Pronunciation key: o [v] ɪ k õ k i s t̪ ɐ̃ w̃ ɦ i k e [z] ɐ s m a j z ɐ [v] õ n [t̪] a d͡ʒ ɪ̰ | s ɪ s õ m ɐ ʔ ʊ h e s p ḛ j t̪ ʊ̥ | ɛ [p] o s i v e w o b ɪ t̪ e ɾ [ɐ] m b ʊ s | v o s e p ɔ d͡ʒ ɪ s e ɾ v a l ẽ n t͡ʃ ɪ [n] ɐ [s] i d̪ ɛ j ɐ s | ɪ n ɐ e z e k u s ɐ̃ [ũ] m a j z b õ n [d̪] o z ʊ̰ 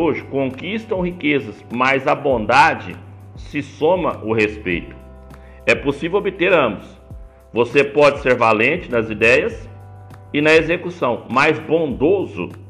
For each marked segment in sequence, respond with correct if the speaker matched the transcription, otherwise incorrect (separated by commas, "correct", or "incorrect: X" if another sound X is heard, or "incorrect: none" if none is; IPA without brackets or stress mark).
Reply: incorrect: ʒ, correct, incorrect: b, incorrect: d̪, correct, incorrect: ɐ̃, correct, incorrect: z, incorrect: w̃, correct